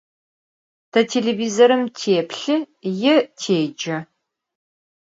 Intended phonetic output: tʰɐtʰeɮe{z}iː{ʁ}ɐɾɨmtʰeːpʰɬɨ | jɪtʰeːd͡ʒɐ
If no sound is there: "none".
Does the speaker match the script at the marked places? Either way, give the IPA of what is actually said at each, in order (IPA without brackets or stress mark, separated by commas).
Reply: v, z